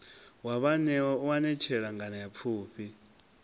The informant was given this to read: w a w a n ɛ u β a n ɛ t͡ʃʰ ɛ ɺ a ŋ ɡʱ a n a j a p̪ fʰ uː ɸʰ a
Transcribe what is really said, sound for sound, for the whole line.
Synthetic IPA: w a β a n ɛ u w a n ɛ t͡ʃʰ ɛ ɺ a ŋ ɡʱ a n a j a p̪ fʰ uː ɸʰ i